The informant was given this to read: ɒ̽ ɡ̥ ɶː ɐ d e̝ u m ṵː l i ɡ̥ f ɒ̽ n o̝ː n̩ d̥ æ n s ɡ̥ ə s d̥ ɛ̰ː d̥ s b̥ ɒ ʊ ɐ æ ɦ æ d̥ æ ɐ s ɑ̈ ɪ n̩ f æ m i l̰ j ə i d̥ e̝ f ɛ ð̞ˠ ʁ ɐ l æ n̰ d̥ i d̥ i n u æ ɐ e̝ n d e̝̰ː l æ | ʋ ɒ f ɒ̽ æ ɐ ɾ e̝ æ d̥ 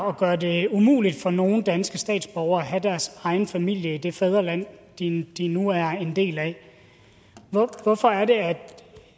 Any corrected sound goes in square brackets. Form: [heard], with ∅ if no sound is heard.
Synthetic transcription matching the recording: ɒ̽ ɡ̥ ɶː ɐ d e̝ u m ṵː l i [d̥] f ɒ̽ n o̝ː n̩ d̥ æ n s ɡ̥ ə s d̥ ɛ̰ː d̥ s b̥ ɒ ʊ ɐ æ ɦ æ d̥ æ ɐ s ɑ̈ ɪ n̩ f æ m i l̰ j ə i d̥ e̝ f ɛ ð̞ˠ ʁ ɐ l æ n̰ d̥ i d̥ i n u æ ɐ e̝ n d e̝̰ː l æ | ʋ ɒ f ɒ̽ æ ɐ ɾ e̝ æ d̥